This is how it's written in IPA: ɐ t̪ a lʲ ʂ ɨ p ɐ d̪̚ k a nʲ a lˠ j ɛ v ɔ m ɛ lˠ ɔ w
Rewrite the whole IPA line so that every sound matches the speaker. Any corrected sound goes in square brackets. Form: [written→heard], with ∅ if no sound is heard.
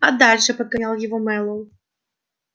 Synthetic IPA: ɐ [t̪→d̪] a lʲ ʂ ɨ p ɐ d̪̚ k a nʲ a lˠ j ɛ v ɔ m ɛ lˠ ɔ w